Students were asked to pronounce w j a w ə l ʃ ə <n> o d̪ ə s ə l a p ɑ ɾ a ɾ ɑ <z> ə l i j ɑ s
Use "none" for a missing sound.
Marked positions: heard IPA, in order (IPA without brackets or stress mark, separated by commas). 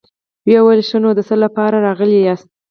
n, ɣ